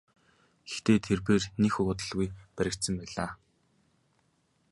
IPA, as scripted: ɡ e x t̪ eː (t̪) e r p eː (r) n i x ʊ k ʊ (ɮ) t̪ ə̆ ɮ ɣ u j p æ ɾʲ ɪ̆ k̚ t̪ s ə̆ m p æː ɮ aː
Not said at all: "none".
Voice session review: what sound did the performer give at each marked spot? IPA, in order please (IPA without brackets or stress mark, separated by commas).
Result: t̪ʰ, r, none